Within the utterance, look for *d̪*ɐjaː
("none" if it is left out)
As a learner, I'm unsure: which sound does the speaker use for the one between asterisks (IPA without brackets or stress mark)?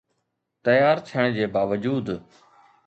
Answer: t̪